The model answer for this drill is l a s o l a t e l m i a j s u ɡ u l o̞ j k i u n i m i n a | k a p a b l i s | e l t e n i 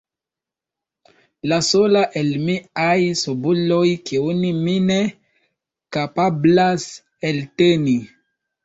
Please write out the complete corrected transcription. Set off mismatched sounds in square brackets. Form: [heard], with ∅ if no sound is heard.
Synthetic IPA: l a s o l a [ʔ] e l m i a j s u [b] u l o̞ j k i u n i m i n [e] | k a p a b l [a] s | e l t e n i

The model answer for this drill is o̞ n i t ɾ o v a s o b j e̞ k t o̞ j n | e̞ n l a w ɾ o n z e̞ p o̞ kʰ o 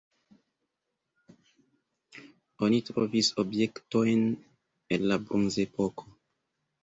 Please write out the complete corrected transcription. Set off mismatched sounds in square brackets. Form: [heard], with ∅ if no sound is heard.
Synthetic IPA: o̞ n i t ɾ o v [i] s o b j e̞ k t o̞ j n | e̞ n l a [b] ɾ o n z e̞ p o̞ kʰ o

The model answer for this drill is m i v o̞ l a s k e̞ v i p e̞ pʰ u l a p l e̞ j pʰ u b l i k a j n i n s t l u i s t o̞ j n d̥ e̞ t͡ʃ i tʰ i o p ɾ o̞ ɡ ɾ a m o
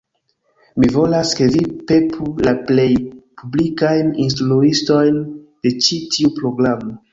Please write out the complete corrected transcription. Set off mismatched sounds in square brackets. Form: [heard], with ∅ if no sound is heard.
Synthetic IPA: m i v o̞ l a s k e̞ v i p e̞ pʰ u l a p l e̞ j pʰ u b l i k a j n i n s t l u i s t o̞ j n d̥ e̞ t͡ʃ i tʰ i [u] p ɾ o̞ ɡ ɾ a m o

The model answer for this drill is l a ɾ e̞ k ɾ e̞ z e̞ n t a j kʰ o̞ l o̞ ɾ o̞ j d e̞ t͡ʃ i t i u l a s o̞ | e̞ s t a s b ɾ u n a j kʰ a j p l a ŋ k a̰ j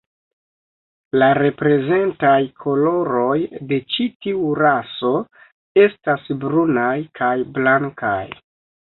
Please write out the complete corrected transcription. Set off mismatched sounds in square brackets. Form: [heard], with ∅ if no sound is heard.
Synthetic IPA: l a ɾ e̞ [p] ɾ e̞ z e̞ n t a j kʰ o̞ l o̞ ɾ o̞ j d e̞ t͡ʃ i t i u [ɾ] a s o̞ | e̞ s t a s b ɾ u n a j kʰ a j [b] l a ŋ k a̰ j

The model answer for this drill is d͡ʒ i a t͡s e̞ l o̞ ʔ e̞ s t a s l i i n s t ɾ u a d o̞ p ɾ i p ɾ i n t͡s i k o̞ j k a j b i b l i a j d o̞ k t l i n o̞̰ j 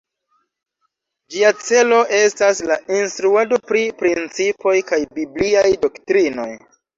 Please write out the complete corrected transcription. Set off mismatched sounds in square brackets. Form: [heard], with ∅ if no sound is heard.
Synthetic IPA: d͡ʒ i a t͡s e̞ l o̞ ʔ e̞ s t a s l [a] i n s t ɾ u a d o̞ p ɾ i p ɾ i n t͡s i [p] o̞ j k a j b i b l i a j d o̞ k t [ɾ] i n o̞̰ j

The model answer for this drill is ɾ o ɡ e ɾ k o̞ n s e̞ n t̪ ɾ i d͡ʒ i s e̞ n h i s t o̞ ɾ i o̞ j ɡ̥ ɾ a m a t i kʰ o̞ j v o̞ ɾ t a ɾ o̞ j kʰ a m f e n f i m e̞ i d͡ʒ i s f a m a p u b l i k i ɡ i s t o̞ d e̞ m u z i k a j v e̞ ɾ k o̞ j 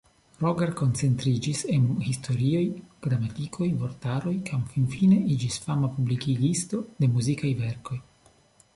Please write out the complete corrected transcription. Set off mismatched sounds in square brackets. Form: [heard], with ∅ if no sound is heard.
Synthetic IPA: ɾ o ɡ e ɾ k o̞ n [t͡s] e̞ n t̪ ɾ i d͡ʒ i s e̞ n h i s t o̞ ɾ i o̞ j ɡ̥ ɾ a m a t i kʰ o̞ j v o̞ ɾ t a ɾ o̞ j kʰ a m f [i] n f i [n] e̞ i d͡ʒ i s f a m a p u b l i k i ɡ i s t o̞ d e̞ m u z i k a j v e̞ ɾ k o̞ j

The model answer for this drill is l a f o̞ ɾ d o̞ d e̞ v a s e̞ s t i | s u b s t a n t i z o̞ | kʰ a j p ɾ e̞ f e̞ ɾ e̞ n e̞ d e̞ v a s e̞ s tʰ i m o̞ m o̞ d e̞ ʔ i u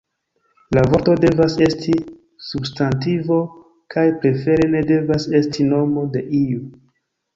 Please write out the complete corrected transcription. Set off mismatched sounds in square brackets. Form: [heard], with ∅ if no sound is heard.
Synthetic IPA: l a [v] o̞ ɾ [t] o̞ d e̞ v a s e̞ s t i | s u b s t a n t i [v] o̞ | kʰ a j p ɾ e̞ f e̞ ɾ e̞ n e̞ d e̞ v a s e̞ s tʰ i [n] o̞ m o̞ d e̞ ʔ i u

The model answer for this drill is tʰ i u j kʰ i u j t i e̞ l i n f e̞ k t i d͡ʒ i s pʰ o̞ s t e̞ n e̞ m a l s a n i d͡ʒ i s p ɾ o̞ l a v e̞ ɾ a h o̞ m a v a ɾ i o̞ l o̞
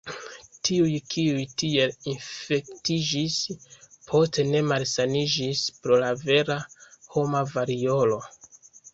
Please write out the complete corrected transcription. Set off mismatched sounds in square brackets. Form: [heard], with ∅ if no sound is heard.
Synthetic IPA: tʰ i u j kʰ i u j t i e̞ l i n f e̞ k t i d͡ʒ i s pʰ o̞ s t e̞ n e̞ m a l s a n i d͡ʒ i s p ɾ o̞ l a v e̞ ɾ a h o̞ m a v a ɾ i o̞ l o̞

